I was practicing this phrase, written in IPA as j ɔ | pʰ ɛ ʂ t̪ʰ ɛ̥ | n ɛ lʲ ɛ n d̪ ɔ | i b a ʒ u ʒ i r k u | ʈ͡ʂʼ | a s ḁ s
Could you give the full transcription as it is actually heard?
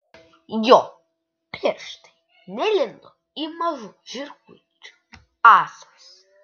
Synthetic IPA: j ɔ | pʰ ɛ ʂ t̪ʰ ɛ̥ | n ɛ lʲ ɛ n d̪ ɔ | i m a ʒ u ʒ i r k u | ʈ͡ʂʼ | a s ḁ s